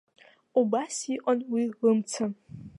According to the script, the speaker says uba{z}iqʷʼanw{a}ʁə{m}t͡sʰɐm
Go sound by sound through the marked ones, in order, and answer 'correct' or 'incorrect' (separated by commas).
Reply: incorrect, incorrect, correct